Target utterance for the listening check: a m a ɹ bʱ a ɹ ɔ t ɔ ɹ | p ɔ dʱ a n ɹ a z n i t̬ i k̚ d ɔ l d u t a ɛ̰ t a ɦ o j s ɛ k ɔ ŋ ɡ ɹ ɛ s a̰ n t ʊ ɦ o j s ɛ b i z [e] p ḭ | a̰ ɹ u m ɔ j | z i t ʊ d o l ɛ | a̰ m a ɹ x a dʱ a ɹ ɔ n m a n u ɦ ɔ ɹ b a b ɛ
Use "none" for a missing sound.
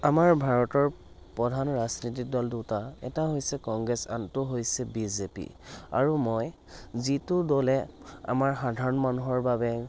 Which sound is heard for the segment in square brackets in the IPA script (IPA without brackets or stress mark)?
e